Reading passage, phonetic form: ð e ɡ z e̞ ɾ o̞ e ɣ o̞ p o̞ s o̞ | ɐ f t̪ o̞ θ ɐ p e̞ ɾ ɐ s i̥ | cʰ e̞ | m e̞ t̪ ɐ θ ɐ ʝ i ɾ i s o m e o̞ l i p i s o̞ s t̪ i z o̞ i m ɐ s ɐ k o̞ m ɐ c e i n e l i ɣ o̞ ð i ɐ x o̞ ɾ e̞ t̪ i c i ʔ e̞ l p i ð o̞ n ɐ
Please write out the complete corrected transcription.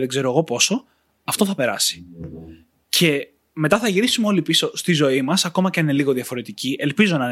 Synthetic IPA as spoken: ð e ɡ z e̞ ɾ o̞ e ɣ o̞ p o̞ s o̞ | ɐ f t̪ o̞ θ ɐ p e̞ ɾ ɐ s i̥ | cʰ e̞ | m e̞ t̪ ɐ θ ɐ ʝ i ɾ i s u m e o̞ l i p i s o̞ s t̪ i z o̞ i m ɐ s ɐ k o̞ m ɐ c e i n e l i ɣ o̞ ð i ɐ f o̞ ɾ e̞ t̪ i c i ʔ e̞ l p i z o̞ n ɐ